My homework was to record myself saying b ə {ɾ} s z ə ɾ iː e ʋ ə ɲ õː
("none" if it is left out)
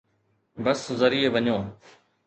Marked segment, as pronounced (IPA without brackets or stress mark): none